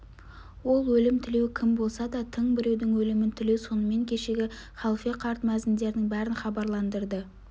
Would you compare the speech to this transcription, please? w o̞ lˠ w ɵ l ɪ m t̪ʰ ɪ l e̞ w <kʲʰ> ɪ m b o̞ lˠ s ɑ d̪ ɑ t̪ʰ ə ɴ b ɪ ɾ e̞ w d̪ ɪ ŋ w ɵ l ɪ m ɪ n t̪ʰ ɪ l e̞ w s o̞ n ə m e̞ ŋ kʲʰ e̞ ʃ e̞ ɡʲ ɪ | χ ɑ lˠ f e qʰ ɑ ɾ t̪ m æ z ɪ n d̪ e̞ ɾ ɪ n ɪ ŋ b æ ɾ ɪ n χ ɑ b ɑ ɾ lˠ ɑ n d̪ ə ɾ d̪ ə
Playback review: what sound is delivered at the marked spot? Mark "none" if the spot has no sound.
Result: kʲʰ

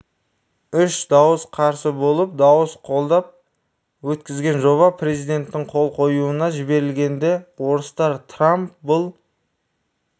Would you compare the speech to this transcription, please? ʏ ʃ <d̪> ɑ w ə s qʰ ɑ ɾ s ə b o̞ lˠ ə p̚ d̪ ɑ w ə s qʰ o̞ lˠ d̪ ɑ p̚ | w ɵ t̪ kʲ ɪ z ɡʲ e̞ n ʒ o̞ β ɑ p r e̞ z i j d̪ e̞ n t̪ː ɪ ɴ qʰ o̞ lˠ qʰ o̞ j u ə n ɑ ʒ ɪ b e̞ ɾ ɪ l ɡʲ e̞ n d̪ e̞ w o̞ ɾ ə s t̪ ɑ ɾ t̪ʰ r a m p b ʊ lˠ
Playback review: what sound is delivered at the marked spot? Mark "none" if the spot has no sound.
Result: d̪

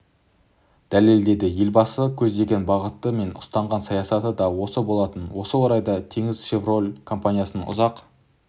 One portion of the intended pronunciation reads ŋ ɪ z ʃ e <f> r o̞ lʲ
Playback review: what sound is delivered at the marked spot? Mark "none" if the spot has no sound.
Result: v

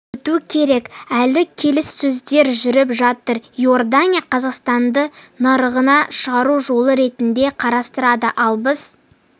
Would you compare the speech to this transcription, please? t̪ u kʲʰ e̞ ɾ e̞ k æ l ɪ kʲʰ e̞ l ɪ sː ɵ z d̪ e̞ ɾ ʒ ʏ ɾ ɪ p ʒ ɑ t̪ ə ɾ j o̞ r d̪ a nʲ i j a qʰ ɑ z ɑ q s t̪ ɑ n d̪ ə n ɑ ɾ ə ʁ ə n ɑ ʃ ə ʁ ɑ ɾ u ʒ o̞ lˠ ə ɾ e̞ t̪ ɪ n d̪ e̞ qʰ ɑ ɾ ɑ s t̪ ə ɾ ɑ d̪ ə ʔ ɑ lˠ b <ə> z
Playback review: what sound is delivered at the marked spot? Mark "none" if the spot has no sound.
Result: ə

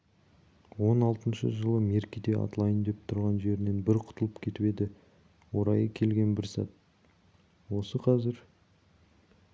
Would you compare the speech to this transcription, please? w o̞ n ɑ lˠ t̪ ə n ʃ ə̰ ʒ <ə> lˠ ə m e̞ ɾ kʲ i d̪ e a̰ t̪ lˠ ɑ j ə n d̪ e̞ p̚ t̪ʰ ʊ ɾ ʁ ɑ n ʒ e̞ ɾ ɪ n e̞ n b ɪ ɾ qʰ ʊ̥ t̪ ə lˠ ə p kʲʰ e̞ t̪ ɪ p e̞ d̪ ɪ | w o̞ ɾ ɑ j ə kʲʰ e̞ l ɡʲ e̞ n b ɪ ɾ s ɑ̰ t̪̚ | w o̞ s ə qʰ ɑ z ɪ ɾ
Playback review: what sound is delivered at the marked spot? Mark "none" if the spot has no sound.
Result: ə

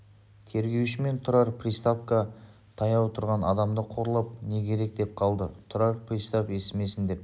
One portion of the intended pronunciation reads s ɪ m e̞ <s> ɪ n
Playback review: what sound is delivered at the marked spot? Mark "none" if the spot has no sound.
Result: s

